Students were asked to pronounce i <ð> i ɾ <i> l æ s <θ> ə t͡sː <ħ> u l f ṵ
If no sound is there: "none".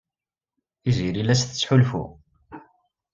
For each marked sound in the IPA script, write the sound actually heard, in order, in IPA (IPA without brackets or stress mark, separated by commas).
z, i, θ, ħ